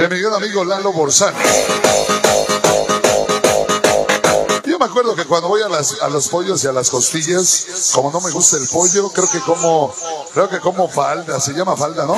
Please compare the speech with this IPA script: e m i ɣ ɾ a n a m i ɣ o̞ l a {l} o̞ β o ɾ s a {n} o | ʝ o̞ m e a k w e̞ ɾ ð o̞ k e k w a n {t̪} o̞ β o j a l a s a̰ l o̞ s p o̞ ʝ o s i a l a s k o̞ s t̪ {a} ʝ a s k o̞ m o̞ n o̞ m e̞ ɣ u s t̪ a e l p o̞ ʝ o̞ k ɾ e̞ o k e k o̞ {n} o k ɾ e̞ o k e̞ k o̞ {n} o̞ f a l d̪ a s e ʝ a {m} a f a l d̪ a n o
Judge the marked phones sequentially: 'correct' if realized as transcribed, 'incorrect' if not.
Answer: correct, correct, incorrect, incorrect, incorrect, incorrect, correct

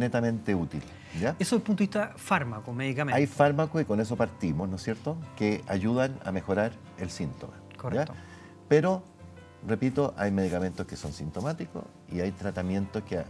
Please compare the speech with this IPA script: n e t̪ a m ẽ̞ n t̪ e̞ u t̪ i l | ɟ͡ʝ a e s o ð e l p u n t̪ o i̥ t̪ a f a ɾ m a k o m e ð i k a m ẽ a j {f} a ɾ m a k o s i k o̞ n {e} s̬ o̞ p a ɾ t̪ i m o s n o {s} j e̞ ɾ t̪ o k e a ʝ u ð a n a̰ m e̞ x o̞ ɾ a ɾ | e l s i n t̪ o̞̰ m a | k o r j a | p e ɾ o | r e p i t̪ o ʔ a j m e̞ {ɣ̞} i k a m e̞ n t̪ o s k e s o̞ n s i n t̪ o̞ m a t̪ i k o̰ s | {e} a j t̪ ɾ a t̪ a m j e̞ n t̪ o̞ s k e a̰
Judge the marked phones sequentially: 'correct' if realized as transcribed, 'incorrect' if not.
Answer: correct, correct, correct, incorrect, incorrect

